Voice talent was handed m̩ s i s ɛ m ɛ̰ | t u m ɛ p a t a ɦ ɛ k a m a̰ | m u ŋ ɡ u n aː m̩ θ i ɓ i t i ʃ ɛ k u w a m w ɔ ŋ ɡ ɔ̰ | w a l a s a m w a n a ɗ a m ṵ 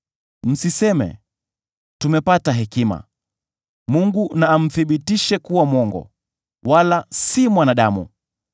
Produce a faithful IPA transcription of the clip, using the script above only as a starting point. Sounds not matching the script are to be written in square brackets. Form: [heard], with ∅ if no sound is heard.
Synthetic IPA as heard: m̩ s i s ɛ m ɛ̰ | t u m ɛ p a t a ɦ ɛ k [i] m a̰ | m u ŋ ɡ u n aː m̩ θ i ɓ i t i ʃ ɛ k u w a m w ɔ ŋ ɡ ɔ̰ | w a l a s [i] m w a n a ɗ a m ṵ